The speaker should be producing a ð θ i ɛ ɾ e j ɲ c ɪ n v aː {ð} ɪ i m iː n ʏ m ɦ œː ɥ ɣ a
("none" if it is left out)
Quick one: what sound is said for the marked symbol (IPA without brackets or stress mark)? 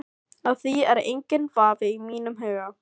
v